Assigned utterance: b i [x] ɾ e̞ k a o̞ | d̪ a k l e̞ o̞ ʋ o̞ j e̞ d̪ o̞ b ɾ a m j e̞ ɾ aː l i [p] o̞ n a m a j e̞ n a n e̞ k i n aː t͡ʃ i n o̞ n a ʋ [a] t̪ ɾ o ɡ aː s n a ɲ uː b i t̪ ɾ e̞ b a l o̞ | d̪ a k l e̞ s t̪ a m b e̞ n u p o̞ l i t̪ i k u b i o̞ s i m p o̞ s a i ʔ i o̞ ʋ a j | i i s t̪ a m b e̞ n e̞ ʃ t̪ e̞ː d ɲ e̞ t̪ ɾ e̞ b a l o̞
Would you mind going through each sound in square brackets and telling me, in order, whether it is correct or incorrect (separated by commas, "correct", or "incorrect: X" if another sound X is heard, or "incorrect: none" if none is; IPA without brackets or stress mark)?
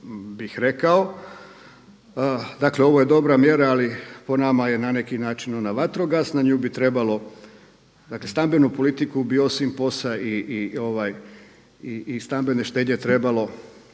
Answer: correct, correct, correct